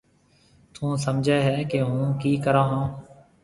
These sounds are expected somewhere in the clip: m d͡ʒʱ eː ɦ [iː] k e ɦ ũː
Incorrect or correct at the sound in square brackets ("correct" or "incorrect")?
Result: incorrect